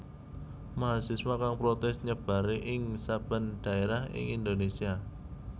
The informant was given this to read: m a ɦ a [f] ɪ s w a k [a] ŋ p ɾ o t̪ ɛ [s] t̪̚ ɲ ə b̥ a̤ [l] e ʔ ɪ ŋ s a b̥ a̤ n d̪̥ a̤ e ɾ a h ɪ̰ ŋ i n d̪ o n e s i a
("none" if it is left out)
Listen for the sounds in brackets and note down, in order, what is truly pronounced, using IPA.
s, a, s, ɾ

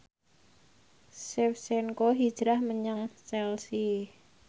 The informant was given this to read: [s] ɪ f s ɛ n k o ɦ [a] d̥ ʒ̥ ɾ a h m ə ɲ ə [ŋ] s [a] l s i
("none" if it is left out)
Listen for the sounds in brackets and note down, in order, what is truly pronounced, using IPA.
s, i, ŋ, ɛ

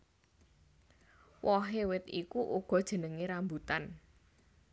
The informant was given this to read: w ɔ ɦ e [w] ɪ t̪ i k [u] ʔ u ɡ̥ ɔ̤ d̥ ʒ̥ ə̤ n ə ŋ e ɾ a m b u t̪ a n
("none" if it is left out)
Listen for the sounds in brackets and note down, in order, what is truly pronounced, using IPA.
w, u

